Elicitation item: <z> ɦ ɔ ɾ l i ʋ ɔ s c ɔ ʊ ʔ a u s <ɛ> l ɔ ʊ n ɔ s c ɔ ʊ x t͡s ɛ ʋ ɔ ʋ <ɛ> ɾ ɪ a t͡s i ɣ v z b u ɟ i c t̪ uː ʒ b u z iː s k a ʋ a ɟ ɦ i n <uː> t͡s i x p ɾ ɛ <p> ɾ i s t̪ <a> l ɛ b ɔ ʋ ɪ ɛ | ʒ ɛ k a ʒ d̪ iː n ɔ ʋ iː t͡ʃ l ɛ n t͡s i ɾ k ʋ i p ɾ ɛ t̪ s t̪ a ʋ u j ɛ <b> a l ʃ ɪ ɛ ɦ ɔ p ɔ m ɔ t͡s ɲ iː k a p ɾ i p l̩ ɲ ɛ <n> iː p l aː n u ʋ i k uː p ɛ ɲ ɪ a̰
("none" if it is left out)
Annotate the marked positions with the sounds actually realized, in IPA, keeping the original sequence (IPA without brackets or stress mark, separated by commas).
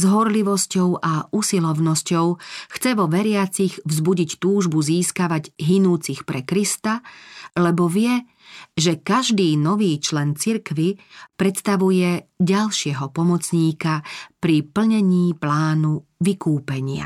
z, i, ɛ, uː, k, a, ɟ, ɲ